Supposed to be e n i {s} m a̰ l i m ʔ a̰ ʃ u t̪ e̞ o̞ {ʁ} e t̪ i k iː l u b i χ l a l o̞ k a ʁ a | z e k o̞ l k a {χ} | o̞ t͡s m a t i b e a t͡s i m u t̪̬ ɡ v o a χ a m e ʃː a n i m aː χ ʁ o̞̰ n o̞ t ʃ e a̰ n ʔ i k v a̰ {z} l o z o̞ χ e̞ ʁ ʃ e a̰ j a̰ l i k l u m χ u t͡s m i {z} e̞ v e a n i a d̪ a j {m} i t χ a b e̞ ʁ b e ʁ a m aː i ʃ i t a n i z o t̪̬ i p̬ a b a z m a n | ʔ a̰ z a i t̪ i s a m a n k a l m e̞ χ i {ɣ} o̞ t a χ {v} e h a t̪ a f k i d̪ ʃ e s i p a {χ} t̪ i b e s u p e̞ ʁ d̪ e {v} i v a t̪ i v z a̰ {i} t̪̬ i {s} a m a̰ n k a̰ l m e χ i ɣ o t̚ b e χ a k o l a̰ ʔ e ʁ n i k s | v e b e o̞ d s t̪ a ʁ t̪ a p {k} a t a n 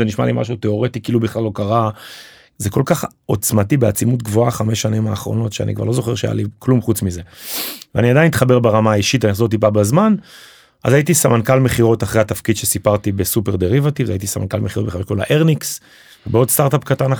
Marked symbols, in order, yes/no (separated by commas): no, yes, yes, no, yes, no, no, no, no, no, yes, yes, yes